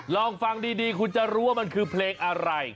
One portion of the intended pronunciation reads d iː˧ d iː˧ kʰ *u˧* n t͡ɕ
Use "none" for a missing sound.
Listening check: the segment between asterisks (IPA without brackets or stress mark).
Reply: u˧